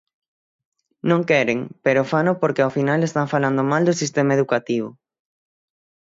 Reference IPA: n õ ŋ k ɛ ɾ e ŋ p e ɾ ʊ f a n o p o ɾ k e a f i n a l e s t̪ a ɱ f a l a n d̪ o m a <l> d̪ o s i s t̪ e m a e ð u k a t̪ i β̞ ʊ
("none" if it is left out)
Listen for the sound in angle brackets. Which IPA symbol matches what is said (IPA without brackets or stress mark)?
l